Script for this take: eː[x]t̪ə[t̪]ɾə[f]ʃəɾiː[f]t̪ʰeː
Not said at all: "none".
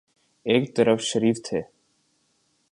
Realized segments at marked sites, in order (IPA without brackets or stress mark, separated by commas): k, none, f, f